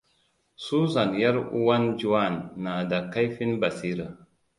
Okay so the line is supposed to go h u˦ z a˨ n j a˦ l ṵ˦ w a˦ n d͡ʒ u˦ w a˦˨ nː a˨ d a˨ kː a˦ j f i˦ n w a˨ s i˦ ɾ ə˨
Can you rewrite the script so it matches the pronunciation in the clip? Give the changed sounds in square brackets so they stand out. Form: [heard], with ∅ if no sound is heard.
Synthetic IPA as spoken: [s] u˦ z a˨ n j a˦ [ɾ] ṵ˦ w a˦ n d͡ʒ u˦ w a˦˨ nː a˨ d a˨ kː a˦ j f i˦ n [b] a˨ s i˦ ɾ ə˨